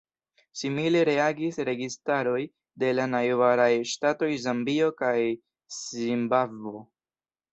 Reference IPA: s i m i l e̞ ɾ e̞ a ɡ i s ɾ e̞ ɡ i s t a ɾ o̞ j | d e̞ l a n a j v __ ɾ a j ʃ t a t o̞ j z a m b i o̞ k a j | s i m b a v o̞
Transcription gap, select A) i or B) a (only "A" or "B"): B